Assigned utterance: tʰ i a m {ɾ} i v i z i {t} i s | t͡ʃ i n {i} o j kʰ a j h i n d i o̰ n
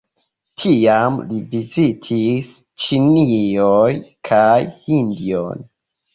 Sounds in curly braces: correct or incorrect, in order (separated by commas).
incorrect, incorrect, correct